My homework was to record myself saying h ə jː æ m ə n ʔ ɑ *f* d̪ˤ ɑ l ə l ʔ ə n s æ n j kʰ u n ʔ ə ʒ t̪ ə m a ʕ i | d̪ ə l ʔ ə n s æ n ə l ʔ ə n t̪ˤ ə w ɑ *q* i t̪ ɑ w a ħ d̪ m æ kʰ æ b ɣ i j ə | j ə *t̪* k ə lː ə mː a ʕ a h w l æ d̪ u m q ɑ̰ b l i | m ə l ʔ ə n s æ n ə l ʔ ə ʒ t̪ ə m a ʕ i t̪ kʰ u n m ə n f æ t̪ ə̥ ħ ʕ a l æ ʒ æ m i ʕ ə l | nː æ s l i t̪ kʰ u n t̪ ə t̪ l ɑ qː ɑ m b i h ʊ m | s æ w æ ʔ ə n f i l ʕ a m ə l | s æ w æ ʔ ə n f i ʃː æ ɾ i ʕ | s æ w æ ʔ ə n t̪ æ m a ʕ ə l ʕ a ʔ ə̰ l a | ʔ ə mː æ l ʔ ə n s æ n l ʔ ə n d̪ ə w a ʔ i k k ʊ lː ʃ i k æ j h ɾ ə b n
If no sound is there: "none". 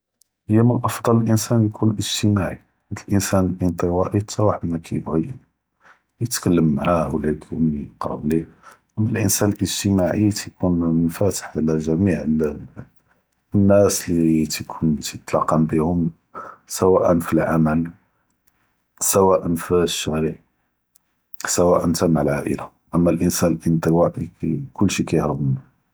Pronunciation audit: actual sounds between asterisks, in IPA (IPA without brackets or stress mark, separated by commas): f, ʔ, t̪